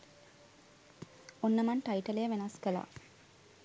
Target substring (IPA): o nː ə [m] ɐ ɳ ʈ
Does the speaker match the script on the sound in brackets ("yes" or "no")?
yes